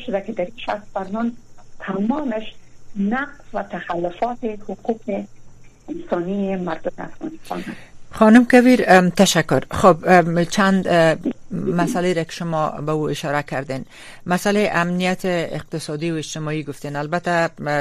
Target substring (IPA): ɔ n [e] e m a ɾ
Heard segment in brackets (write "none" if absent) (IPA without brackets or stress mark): i